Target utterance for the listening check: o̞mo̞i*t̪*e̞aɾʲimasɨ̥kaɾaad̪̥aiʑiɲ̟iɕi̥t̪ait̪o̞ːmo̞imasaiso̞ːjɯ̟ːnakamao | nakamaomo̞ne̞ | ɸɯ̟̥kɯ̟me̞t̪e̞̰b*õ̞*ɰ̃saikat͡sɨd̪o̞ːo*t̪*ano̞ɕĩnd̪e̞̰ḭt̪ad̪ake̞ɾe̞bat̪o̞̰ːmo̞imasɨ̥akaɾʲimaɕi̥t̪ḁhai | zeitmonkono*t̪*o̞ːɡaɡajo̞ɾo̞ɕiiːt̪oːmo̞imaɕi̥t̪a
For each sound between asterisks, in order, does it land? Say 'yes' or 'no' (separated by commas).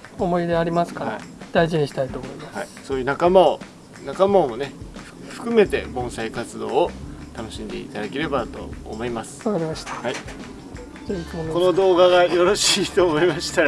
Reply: no, yes, yes, no